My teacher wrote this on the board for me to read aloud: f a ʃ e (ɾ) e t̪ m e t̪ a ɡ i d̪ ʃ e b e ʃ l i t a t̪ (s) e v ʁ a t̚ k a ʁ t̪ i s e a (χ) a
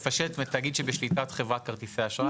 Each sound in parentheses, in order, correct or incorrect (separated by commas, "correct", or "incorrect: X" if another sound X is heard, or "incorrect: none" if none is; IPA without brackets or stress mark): incorrect: l, incorrect: χ, incorrect: ʃ